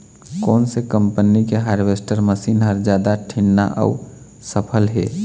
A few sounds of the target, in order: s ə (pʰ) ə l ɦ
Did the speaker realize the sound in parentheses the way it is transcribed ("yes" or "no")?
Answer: yes